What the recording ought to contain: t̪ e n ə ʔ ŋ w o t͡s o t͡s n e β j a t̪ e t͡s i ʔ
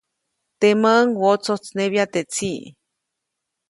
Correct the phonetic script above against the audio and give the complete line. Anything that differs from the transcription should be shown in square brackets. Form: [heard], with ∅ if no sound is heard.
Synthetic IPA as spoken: t̪ e [m] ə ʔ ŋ w o t͡s o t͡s n e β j a t̪ e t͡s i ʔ